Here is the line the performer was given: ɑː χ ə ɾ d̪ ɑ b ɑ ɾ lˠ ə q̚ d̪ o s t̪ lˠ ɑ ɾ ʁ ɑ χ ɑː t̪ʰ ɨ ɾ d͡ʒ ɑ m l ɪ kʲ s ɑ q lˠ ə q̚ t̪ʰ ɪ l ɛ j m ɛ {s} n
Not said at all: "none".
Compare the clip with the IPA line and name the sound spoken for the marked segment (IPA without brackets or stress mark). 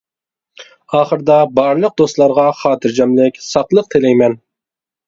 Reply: none